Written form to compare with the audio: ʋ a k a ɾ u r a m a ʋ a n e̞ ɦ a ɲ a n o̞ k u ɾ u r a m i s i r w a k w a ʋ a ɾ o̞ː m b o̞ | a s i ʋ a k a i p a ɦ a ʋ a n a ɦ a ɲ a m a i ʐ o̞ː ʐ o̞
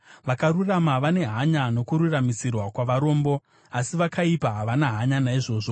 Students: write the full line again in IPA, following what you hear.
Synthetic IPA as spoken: ʋ a k a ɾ u r a m a ʋ a n e̞ ɦ a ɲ a n o̞ k u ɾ u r a m i s i r w a k w a ʋ a ɾ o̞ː m b o̞ | a s i ʋ a k a i p a ɦ a ʋ a n a ɦ a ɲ a n a i ʐ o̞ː ʐ o̞

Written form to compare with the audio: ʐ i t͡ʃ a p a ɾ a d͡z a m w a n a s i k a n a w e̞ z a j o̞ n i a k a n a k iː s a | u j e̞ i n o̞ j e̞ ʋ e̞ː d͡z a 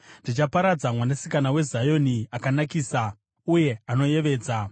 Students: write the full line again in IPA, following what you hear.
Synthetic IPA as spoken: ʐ i t͡ʃ a p a ɾ a d͡z a m w a n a s i k a n a w e̞ z a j o̞ n i a k a n a k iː s a | u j e̞ a n o̞ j e̞ ʋ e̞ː d͡z a

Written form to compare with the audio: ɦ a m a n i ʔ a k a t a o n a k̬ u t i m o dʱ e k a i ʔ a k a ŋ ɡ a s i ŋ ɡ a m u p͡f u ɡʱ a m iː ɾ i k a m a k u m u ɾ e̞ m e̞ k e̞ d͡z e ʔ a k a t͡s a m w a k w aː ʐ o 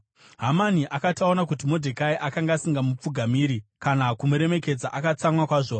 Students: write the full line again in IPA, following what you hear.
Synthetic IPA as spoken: ɦ a m a n i ʔ a k a t a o n a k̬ u t i m o dʱ e k a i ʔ a k a ŋ ɡ a s i ŋ ɡ a m u p͡f u ɡʱ a m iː ɾ i k a n a k u m u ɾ e̞ m e̞ k e̞ d͡z a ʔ a k a t͡s a m w a k w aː ʐ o

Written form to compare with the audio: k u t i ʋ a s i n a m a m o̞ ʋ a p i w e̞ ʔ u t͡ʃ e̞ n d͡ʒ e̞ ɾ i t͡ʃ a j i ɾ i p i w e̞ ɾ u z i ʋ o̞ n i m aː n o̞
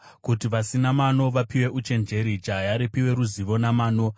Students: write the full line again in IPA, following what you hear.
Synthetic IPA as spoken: k u t i ʋ a s i n a m a n o̞ ʋ a p i w e̞ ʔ u t͡ʃ e̞ n d͡ʒ e̞ ɾ i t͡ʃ a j a ɾ i p i w e̞ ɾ u z i ʋ o̞ n a m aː n o̞

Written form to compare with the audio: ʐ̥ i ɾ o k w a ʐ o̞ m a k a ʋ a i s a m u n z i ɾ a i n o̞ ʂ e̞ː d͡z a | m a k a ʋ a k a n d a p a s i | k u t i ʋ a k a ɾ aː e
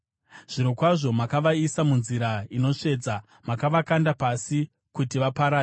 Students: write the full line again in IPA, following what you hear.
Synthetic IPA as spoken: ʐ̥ i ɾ o k w a ʐ o̞ m a k a ʋ a i s a m u n z i ɾ a i n o̞ ʂ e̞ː d͡z a | m a k a ʋ a k a n d a p a s i | k u t i ʋ a p a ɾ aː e

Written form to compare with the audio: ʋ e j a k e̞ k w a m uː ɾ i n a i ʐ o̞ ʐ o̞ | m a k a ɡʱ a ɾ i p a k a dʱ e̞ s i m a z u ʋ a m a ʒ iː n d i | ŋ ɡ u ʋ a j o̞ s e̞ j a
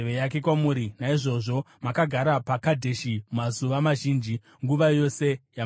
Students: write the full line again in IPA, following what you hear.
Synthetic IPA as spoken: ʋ e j a k e̞ k w a m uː ɾ i n a i ʐ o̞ ʐ o̞ | m a k a ɡʱ a ɾ a p a k a dʱ e̞ ʃ i m a z u ʋ a m a ʒ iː n d͡ʒ i | ŋ ɡ u ʋ a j o̞ s e̞ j a

